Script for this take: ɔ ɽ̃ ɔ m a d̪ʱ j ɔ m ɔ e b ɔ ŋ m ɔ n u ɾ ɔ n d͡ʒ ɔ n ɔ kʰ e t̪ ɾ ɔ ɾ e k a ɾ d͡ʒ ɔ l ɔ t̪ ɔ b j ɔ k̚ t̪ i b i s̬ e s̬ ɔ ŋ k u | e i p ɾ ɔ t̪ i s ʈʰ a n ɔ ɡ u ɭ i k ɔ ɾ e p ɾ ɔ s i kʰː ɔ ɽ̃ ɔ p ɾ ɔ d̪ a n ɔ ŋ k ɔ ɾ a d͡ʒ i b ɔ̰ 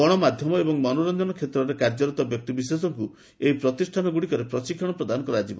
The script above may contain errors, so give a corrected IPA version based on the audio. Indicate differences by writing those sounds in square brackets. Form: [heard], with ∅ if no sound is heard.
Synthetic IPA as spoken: ɔ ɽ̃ ɔ m a d̪ʱ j ɔ m ɔ e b ɔ ŋ m ɔ n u ɾ ɔ n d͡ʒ ɔ n ɔ kʰ e t̪ ɾ ɔ ɾ e k a ɾ d͡ʒ ɔ [ɾ] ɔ t̪ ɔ b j ɔ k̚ t̪ i b i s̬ e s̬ ɔ ŋ k u | e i p ɾ ɔ t̪ i s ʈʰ a n ɔ ɡ u [ɽ] i k ɔ ɾ e p ɾ ɔ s i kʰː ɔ ɽ̃ ɔ p ɾ ɔ d̪ a n ɔ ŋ k ɔ ɾ a d͡ʒ i b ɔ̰